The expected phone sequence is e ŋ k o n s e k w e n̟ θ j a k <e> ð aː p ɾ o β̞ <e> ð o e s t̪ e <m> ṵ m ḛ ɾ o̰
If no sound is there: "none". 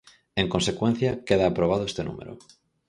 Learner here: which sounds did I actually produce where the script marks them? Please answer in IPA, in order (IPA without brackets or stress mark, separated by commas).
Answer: e, a, n